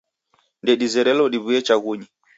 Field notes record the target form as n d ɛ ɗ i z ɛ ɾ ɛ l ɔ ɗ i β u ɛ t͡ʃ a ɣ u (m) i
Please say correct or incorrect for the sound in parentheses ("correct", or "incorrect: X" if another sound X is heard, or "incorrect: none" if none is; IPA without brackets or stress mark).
incorrect: ɲ